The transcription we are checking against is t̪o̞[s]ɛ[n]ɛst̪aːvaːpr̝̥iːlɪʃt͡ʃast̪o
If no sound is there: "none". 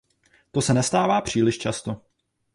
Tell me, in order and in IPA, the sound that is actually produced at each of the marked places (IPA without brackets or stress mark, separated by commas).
s, n